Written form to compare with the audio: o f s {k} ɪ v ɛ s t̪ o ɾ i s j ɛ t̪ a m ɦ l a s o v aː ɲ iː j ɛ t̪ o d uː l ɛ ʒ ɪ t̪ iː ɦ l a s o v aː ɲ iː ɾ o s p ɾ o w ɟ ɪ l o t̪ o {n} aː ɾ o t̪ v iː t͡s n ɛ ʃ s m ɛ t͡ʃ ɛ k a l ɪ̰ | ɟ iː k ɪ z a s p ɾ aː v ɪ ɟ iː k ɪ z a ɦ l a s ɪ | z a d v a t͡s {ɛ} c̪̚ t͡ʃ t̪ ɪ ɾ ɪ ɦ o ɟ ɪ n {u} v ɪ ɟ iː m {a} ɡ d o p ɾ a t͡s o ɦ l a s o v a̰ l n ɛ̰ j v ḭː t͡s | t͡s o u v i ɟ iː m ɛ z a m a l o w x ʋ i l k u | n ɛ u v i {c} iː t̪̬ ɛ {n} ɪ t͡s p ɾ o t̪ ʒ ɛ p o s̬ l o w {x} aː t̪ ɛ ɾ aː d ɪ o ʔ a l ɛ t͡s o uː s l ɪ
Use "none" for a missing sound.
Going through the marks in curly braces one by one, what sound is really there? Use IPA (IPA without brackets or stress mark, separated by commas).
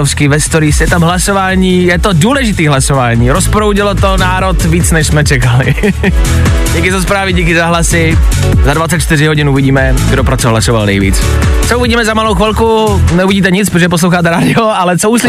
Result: k, n, ɛ, u, ɛ, ɟ, ɲ, x